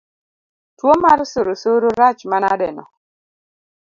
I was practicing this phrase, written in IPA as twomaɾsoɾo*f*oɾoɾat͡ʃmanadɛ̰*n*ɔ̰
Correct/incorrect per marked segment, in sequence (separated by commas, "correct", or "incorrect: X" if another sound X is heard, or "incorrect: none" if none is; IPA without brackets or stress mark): incorrect: s, correct